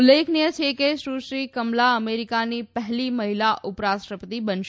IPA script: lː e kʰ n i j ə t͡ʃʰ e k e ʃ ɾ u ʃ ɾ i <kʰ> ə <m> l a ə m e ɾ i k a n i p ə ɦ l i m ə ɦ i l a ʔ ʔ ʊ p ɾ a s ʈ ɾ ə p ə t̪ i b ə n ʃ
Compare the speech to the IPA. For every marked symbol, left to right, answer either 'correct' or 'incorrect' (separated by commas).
incorrect, correct